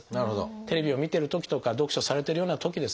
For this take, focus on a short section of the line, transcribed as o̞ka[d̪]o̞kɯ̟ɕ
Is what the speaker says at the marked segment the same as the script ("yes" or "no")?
yes